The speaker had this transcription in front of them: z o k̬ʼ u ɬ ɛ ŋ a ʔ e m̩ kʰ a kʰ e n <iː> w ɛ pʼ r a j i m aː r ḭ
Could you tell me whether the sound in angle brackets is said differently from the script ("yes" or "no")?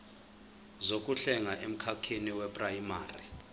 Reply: yes